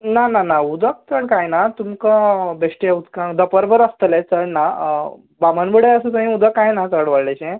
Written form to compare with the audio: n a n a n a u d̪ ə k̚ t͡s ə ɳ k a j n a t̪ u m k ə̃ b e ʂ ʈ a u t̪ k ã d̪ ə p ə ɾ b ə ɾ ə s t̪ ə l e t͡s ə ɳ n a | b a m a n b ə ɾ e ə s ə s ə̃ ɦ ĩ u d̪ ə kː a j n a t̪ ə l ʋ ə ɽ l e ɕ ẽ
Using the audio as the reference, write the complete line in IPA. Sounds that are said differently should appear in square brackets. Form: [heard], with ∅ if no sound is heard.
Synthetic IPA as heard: n a n a n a u d̪ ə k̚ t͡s ə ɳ k a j n a t̪ u m k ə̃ b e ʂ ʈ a u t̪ k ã d̪ ə p ə ɾ b ə ɾ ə s t̪ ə l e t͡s ə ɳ n a | b a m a n b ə [ɽ] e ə s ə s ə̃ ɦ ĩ u d̪ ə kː a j n a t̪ ə [ɽ] ʋ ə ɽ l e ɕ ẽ